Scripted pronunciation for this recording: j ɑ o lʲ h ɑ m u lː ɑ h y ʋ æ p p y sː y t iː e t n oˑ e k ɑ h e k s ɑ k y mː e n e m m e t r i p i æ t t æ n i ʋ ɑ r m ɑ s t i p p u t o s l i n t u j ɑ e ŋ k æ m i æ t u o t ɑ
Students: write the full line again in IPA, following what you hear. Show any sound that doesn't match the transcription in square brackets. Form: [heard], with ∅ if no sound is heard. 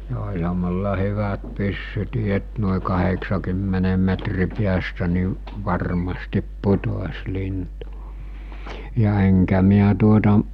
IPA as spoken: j ɑ o lʲ h ɑ m u lː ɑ h y ʋ æ [t] p y sː y t iː e t n oˑ e k ɑ h e k s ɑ k y mː e n e m m e t r i p i æ [s] t æ n i ʋ ɑ r m ɑ s t i p p u t o s l i n t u j ɑ e ŋ k æ m i æ t u o t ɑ

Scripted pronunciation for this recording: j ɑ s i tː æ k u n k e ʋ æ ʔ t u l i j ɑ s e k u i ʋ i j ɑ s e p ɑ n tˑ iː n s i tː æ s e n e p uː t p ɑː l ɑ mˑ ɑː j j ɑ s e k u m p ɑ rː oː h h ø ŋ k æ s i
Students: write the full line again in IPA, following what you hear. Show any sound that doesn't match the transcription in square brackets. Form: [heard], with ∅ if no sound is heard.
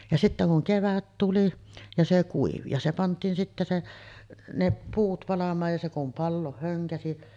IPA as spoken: j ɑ s i tː æ k u [ŋ] k e ʋ æ [t] t u l i j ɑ s e k u i ʋ i j ɑ s e p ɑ n tˑ iː n s i tː æ s e n e p uː t p [ɑ] l ɑ mˑ ɑː j j ɑ s e k u m p ɑ [lː] oː h h ø ŋ k æ s i

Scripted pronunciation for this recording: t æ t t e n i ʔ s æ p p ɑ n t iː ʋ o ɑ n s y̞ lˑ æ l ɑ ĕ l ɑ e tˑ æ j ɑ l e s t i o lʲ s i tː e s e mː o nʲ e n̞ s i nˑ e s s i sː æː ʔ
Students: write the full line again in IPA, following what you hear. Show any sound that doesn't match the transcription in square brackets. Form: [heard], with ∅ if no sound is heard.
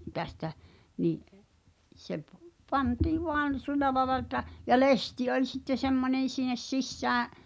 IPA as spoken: t æ [s] t [æ] n i ʔ s [e] p p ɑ n t iː ʋ o ɑ n s y̞ lˑ æ l ɑ ĕ l ɑ e tˑ æ j ɑ l e s t i o lʲ s i tː e s e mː o nʲ e n̞ s i nˑ e s s i sː æː ʔ

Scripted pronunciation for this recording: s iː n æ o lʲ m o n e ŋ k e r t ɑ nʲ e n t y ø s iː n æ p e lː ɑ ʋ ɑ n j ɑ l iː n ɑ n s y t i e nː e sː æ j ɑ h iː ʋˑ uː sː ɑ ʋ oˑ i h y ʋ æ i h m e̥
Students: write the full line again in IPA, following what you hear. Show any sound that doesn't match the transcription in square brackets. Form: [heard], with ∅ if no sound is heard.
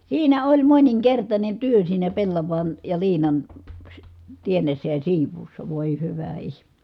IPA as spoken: s iː n æ o lʲ m o n [i] ŋ k e r t ɑ nʲ e n t y ø s iː n æ p e lː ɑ ʋ ɑ n j ɑ l iː n ɑ n s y t i e nː e sː æ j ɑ [s] iː ʋˑ uː sː ɑ ʋ oˑ i h y ʋ æ i h m e̥

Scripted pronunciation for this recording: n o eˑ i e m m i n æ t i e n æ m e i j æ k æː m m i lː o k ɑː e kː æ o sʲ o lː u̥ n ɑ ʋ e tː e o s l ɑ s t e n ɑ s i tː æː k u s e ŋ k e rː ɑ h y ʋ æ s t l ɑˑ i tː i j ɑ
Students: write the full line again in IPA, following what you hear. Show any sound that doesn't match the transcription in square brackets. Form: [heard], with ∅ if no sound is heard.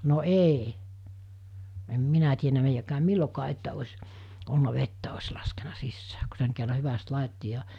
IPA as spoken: n o eˑ i e m m i n æ t i e n æ m e i j æ k æː m m i lː o k ɑː e [tː] æ o sʲ o lː u̥ n ɑ ʋ e tː [æ] o s l ɑ s [k] e n ɑ s i [sː] æː k u s e ŋ k e rː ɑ h y ʋ æ s t l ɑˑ i tː i j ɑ

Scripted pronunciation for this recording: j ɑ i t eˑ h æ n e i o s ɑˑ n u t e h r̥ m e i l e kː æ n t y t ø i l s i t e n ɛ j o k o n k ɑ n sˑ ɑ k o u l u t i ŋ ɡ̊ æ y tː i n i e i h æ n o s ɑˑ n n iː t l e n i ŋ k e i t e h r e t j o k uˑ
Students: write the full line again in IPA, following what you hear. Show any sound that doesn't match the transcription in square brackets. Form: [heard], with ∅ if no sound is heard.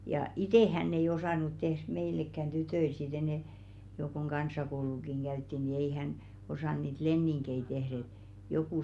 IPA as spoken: j ɑ i t eˑ h æ [nː] e i o s ɑˑ n u t e h r̥ m e i l e kː æ n t y t ø i l s i t e n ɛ j o k o [ŋ] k ɑ n sˑ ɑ k o u l u [k] i ŋ ɡ̊ æ y tː i n i e i h æ n o s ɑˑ n n iː t l e [nː] i ŋ k e i t e h r e t j o k uˑ

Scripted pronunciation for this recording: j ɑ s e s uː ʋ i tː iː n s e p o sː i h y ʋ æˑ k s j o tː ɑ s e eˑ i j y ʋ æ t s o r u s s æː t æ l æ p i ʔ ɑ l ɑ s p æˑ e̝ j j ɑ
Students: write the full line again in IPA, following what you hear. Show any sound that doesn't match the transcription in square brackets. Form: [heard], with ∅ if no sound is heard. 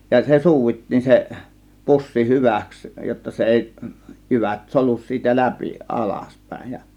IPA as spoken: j ɑ s e s uː ʋ i tː iː n s e p [u] sː i h y ʋ æˑ k s j o tː ɑ s e eˑ i j y ʋ æ t s o [l] u s s [iː] t æ l æ p i ʔ ɑ l ɑ s p æˑ e̝ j j ɑ

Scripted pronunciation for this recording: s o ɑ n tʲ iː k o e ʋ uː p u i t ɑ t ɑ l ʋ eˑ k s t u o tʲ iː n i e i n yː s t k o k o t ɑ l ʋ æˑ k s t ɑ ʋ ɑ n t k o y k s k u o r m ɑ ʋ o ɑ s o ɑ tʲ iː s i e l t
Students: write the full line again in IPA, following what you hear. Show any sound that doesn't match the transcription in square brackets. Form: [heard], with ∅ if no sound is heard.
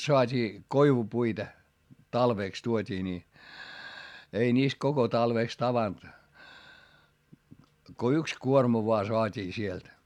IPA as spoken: s o ɑ [∅] tʲ iː k o [i] ʋ [u] p u i t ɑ t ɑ l ʋ eˑ k s t u o tʲ iː n i e i n [iː] s t k o k o t ɑ l ʋ [eˑ] k s t ɑ ʋ ɑ n t k o y k s k u o r m ɑ ʋ o ɑ s o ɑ tʲ iː s i e l t

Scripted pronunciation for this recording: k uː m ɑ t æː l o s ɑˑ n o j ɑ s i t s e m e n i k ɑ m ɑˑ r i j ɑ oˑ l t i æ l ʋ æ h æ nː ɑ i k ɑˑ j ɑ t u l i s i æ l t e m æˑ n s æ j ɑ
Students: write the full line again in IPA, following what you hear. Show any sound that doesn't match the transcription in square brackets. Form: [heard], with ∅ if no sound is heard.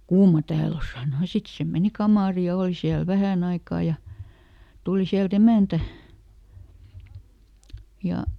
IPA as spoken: k uː m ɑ t æː l o s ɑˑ n o j ɑ s i t s e m e n i k ɑ m ɑˑ r i j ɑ oˑ l [s] i æ l ʋ æ h æ [n] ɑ i k ɑˑ j ɑ t u l i s i æ l t e m æˑ n [t] æ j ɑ

